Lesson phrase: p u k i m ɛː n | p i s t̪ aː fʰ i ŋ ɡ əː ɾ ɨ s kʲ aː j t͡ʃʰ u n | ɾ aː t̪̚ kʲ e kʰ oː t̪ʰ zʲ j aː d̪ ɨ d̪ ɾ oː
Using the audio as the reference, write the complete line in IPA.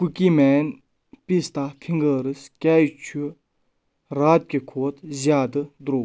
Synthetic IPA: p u k i m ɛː n | p i s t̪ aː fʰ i ŋ ɡ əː ɾ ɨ s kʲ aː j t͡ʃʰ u | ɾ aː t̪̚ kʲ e kʰ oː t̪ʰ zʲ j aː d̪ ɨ d̪ ɾ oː